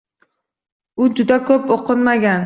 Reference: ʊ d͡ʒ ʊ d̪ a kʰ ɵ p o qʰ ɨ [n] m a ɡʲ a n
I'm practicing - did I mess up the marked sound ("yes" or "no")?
no